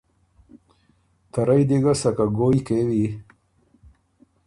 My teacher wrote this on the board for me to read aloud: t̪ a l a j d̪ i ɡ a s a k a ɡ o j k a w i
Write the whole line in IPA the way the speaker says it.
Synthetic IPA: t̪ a ɾ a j d̪ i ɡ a s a k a ɡ o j k e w i